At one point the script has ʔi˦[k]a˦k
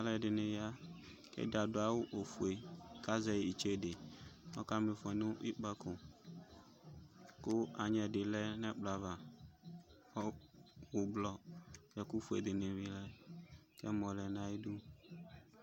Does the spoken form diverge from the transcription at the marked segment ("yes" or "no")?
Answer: yes